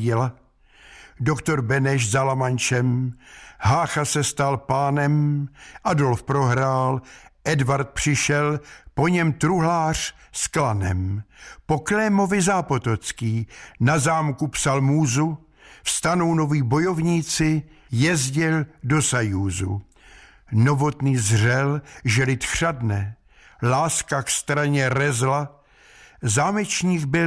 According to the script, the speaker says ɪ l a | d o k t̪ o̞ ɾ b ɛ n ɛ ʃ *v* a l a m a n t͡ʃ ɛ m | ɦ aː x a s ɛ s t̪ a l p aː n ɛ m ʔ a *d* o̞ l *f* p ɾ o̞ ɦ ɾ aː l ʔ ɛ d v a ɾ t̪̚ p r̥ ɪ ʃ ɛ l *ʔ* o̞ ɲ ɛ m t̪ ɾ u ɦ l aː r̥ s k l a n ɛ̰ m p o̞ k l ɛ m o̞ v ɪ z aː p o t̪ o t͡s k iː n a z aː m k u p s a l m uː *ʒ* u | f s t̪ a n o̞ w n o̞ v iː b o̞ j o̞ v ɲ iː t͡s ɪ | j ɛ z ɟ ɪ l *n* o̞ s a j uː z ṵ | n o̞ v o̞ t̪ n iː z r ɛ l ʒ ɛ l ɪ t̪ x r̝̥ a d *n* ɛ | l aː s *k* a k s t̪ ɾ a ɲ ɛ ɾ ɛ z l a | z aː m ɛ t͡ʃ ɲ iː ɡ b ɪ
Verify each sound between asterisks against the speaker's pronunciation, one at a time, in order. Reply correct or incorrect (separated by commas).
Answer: incorrect, correct, correct, incorrect, incorrect, incorrect, correct, correct